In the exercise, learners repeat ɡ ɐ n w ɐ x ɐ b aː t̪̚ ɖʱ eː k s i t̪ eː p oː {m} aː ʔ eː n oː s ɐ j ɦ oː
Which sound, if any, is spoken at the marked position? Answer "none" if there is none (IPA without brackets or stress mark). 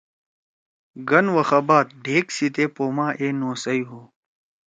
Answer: m